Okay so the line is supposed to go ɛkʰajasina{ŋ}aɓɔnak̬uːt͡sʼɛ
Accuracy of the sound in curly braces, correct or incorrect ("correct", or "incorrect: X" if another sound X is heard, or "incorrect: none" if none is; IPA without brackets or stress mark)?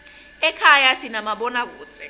incorrect: m